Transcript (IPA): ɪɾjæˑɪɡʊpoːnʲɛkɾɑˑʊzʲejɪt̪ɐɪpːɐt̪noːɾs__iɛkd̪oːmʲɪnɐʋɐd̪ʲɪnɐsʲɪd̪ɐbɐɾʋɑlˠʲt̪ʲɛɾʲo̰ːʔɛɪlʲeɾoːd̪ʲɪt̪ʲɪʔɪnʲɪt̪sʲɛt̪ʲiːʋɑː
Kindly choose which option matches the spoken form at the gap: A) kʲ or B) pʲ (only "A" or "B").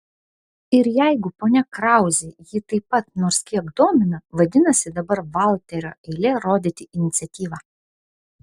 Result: A